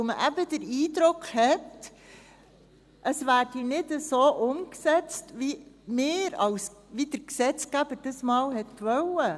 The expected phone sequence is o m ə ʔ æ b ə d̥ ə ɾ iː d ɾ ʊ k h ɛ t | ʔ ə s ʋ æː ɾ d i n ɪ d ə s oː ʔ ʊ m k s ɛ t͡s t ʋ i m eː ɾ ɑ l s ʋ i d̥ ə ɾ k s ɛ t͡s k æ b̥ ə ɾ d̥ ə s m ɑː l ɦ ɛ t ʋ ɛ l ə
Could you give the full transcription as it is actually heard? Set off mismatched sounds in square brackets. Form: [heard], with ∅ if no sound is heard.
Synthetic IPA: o m ə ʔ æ b ə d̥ ə ɾ iː d ɾ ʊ k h ɛ t | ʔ ə s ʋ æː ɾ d i n ɪ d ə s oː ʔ ʊ m k s ɛ t͡s t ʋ i m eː ɾ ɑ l s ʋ i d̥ ə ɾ k s ɛ t͡s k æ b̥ ə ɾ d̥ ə s m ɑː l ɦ ɛ t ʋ [œ] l ə